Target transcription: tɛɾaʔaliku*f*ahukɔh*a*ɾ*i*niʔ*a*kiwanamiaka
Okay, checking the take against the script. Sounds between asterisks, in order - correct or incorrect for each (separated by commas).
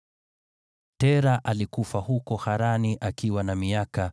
correct, correct, incorrect, correct